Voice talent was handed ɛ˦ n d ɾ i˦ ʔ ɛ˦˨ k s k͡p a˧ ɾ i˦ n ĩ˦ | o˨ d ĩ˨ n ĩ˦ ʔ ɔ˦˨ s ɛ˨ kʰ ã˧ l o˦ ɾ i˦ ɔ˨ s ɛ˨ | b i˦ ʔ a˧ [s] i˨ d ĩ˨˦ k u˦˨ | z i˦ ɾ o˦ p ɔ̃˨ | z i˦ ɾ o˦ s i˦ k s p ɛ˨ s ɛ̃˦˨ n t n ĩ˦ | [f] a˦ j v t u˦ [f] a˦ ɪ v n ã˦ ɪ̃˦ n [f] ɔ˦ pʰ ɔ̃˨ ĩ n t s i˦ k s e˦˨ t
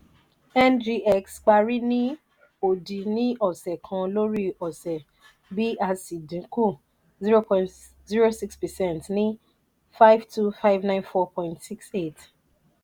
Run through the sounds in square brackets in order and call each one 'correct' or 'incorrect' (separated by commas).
correct, correct, correct, correct